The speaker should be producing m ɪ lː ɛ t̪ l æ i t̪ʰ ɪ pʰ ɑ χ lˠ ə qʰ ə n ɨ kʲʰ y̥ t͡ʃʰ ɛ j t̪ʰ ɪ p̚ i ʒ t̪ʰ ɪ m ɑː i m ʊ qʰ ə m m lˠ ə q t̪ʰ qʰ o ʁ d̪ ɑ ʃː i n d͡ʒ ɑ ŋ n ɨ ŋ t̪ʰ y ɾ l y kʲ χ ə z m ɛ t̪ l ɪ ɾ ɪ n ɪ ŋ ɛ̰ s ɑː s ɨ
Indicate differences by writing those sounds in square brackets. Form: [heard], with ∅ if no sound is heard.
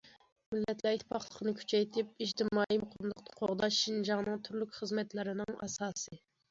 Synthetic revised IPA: m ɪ lː ɛ t̪ l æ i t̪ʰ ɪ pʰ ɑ χ lˠ ə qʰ ə n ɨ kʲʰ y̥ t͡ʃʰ ɛ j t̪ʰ ɪ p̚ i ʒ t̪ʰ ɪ m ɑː i m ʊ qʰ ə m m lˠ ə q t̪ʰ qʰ o ʁ d̪ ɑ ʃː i n d͡ʒ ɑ ŋ n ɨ ŋ t̪ʰ y ɾ l y kʲ χ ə z m ɛ t̪ l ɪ ɾ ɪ n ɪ ŋ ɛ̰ s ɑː s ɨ